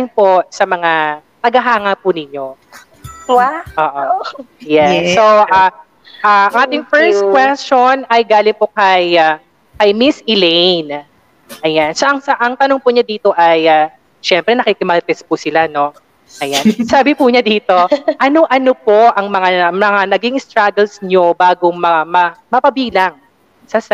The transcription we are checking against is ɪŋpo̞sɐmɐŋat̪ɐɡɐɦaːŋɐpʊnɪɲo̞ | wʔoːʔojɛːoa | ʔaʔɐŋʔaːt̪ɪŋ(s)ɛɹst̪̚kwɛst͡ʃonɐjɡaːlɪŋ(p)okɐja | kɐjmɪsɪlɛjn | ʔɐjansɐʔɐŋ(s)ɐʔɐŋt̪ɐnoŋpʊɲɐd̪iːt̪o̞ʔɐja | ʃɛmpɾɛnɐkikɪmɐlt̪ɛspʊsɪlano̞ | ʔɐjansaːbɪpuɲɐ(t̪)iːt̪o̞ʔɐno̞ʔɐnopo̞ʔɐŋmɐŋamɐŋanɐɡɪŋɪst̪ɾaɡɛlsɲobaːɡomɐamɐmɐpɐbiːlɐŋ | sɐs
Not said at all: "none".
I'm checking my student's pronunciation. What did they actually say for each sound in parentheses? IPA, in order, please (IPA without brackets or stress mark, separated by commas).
f, p, s, d̪